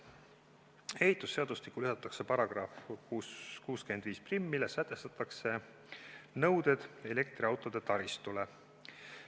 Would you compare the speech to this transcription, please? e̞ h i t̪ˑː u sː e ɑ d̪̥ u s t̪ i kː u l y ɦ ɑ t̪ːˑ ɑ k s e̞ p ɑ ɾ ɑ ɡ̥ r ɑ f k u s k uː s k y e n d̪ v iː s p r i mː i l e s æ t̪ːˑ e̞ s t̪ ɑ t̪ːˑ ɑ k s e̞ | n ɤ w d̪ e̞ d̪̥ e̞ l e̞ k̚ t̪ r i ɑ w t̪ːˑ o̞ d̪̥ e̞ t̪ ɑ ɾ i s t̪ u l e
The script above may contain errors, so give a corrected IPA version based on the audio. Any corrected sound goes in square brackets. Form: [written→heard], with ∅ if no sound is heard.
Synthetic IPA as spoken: e̞ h i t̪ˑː u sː e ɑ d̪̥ u s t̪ i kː u l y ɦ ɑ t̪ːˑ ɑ k s e̞ p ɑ ɾ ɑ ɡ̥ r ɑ f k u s k uː s k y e n d̪ v iː s p r i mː i l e s æ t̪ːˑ e̞ s t̪ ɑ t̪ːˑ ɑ k s e̞ | n ɤ w d̪ e̞ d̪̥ e̞ l e̞ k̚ t̪ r i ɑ w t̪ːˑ o̞ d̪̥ e̞ t̪ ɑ ɾ i s t̪ u l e